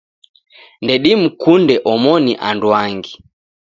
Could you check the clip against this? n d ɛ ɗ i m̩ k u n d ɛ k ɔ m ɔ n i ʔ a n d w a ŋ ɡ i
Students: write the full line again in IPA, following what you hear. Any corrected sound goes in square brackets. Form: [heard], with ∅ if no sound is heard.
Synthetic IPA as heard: n d ɛ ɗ i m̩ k u n d ɛ [ʔ] ɔ m ɔ n i ʔ a n d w a ŋ ɡ i